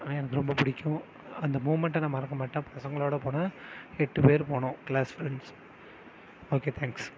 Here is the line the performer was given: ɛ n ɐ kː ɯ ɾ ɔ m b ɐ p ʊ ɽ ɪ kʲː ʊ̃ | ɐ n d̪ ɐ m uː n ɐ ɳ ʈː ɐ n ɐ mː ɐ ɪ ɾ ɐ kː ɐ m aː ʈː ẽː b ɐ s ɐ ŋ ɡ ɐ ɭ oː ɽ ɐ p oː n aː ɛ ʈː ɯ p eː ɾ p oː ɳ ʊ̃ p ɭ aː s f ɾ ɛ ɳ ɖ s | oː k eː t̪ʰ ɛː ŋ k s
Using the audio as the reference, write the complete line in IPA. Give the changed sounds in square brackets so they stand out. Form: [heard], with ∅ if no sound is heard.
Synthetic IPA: ɛ n ɐ kː ɯ ɾ ɔ m b ɐ p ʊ ɽ ɪ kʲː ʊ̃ | ɐ n d̪ ɐ m uː [m] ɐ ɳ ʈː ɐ n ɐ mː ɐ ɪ ɾ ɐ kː ɐ m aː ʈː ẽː [p] ɐ s ɐ ŋ ɡ ɐ ɭ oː ɽ ɐ p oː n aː ɛ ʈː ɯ p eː ɾ p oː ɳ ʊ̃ [k] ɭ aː s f ɾ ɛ ɳ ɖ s | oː k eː t̪ʰ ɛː ŋ k s